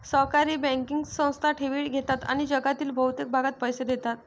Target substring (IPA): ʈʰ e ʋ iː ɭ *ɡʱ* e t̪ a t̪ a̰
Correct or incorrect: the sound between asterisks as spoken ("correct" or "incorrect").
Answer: correct